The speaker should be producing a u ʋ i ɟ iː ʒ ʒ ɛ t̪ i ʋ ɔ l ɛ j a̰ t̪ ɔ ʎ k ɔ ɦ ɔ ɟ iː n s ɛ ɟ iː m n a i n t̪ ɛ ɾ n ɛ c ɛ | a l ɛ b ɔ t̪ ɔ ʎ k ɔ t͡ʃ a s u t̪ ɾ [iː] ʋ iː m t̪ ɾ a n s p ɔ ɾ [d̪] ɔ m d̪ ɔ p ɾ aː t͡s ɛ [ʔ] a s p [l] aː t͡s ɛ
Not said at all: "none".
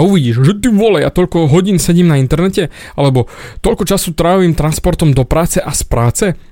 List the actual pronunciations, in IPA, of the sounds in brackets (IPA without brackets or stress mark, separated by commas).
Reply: aː, t̪, ʔ, ɾ